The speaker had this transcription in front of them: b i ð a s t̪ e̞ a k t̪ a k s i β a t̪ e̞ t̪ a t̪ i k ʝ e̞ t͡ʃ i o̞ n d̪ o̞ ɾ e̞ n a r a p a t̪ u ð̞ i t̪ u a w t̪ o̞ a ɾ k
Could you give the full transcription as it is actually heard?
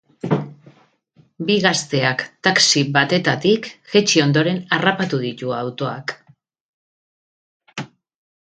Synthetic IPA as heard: b i ɣ a s t̪ e̞ a k t̪ a k s i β a t̪ e̞ t̪ a t̪ i k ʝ e̞ t͡ʃ i o̞ n d̪ o̞ ɾ e̞ n a r a p a t̪ u ð̞ i t̪ u a w t̪ o̞ a k